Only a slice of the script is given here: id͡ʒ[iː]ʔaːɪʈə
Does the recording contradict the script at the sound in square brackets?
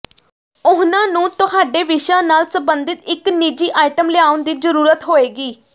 no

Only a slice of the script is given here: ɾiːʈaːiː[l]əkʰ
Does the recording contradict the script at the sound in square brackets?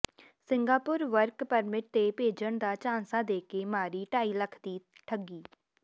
no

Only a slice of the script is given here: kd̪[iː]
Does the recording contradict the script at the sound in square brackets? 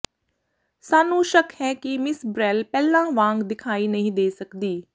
no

